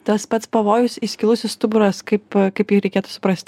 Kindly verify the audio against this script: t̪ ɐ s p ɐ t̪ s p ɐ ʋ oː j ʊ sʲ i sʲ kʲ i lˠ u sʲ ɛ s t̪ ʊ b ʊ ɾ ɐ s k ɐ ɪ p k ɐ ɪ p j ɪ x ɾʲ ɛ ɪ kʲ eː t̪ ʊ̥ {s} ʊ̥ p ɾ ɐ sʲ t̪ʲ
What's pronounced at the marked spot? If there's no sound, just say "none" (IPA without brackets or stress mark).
s